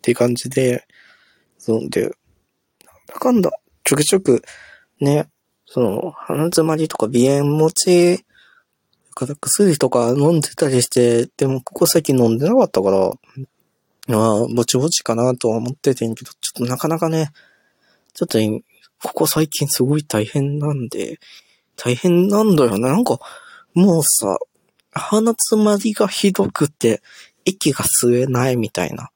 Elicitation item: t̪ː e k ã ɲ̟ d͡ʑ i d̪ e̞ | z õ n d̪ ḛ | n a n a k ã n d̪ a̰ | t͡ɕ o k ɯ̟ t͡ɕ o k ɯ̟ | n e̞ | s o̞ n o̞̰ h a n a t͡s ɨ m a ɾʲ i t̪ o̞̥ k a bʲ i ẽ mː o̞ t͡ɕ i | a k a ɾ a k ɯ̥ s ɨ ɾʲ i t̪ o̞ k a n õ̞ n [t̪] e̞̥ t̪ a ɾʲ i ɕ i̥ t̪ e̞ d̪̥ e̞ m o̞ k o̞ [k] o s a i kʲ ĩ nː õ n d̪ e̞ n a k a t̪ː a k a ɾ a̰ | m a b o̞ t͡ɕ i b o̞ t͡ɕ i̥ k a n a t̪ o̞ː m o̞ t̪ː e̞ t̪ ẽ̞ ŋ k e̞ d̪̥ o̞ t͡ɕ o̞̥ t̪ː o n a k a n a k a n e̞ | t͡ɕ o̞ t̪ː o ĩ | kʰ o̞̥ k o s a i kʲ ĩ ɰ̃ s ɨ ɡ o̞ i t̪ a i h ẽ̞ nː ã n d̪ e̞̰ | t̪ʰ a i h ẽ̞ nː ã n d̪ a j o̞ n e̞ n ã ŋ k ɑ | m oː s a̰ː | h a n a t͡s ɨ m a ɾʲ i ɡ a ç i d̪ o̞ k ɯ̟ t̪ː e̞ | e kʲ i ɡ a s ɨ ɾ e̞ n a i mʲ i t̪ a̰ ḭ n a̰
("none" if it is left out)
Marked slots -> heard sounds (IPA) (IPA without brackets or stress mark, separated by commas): d̪, k